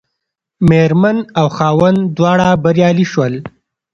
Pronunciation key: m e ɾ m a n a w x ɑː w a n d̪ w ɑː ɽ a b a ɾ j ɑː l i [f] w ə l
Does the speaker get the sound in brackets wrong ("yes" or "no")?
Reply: yes